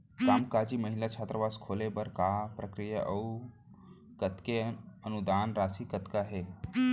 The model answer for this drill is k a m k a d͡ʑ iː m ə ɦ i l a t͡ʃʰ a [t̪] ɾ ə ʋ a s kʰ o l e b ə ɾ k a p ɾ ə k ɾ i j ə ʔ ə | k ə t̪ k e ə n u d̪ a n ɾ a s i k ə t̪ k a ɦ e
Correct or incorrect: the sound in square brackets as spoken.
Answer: correct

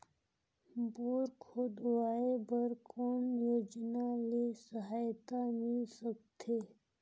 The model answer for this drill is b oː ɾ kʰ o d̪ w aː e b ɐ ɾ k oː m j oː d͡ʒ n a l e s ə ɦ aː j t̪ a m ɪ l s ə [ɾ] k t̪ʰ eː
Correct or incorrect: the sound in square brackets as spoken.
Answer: incorrect: none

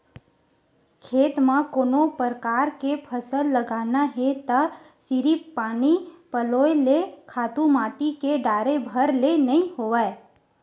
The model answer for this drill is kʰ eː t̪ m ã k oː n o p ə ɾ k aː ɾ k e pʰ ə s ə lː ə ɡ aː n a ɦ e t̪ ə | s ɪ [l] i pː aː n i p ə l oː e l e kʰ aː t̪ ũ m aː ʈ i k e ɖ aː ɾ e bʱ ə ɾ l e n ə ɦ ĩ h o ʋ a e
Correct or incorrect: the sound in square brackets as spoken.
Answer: incorrect: ɾ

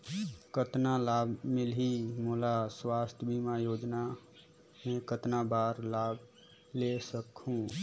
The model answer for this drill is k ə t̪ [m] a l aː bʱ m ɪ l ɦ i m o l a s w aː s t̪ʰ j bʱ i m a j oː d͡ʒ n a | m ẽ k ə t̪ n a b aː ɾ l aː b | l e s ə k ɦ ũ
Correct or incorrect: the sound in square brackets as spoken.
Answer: incorrect: n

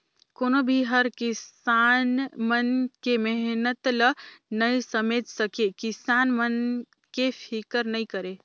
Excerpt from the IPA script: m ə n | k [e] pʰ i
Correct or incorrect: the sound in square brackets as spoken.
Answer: correct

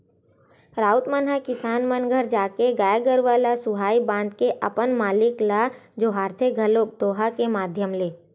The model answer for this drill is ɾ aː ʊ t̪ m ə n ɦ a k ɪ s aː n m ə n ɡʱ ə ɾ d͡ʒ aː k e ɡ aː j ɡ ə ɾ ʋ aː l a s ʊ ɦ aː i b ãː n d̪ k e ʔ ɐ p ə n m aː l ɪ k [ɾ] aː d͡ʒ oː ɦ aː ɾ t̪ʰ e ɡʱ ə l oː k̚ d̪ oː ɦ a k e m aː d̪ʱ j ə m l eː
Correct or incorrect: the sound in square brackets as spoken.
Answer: incorrect: l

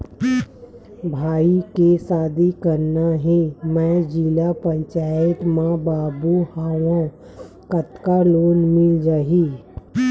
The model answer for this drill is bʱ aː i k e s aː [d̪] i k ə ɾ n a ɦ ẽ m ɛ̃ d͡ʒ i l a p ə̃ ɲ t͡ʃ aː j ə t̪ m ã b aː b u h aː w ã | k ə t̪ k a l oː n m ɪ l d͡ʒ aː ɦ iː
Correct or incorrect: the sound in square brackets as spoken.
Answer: correct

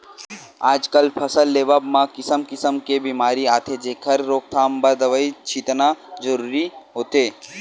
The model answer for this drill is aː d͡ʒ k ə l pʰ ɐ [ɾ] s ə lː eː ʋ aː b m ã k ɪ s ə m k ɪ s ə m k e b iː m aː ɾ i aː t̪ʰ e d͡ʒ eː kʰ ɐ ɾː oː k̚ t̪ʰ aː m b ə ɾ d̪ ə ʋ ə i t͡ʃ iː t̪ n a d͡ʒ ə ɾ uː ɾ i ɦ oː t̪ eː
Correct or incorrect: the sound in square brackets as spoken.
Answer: incorrect: none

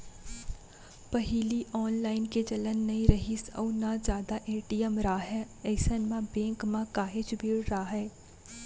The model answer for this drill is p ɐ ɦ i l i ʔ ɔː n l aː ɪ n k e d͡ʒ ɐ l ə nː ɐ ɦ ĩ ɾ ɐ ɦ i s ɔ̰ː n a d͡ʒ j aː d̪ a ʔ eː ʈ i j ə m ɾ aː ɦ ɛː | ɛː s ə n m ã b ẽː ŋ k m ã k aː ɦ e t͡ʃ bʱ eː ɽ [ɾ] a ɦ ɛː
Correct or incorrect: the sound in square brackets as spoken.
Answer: correct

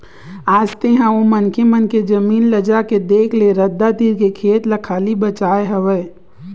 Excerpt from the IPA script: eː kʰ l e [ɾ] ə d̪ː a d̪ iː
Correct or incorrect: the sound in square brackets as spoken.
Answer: correct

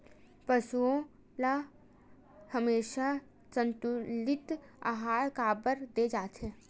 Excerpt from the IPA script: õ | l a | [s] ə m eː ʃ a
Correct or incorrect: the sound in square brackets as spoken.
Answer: incorrect: h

